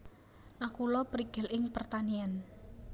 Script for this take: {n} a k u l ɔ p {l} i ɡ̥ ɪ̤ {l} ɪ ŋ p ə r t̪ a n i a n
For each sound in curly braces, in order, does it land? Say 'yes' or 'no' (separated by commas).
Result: yes, no, yes